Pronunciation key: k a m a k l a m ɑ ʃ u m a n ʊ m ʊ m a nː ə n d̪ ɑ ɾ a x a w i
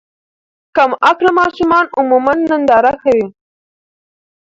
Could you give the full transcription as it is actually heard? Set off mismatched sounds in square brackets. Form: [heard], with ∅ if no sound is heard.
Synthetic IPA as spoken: k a m a k l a m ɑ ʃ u m [ɑ] n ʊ m [u] m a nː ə n d̪ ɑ ɾ a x a w i